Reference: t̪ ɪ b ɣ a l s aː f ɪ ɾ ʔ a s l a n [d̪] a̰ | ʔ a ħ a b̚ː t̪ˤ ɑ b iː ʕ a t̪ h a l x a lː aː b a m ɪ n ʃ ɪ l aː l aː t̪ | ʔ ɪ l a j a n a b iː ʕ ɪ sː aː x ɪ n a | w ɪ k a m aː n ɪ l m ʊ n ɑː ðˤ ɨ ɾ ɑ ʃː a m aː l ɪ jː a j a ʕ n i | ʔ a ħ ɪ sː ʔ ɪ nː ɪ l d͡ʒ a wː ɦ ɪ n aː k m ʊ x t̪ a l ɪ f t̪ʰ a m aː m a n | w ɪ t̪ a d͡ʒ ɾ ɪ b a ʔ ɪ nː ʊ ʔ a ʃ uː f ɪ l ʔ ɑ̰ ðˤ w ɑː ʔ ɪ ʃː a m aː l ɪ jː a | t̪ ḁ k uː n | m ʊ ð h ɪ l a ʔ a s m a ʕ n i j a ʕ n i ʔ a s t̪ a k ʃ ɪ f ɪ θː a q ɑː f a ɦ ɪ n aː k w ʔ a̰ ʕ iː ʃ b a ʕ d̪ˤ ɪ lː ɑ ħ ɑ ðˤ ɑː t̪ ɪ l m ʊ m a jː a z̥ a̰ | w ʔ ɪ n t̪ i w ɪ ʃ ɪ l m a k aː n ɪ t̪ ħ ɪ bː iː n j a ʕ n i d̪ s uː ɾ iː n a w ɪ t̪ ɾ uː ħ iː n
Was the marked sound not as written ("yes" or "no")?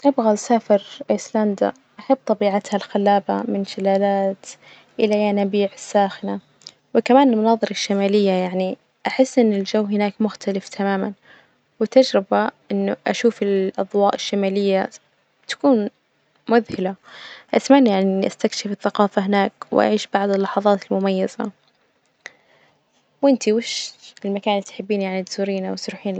no